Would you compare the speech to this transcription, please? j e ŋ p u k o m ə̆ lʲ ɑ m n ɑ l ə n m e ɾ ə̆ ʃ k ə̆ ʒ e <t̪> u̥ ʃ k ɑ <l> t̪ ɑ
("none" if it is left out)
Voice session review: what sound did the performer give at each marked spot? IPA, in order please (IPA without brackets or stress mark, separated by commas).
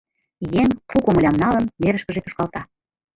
t̪, l